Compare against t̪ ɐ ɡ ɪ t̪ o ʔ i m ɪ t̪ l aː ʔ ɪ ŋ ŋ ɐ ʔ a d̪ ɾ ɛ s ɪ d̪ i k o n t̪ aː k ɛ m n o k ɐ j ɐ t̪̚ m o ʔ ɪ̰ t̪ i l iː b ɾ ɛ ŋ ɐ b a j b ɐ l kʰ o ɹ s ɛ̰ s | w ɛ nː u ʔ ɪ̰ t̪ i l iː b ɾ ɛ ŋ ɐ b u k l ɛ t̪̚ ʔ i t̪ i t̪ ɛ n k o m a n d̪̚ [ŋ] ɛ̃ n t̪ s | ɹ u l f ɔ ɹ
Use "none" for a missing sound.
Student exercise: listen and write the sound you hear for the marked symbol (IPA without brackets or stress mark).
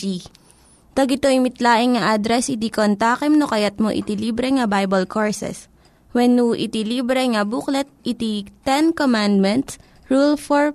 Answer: m